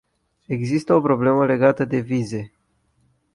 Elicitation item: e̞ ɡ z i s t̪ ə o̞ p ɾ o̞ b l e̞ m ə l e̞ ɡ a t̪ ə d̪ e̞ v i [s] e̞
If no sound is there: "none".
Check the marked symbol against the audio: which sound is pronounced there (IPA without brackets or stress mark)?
z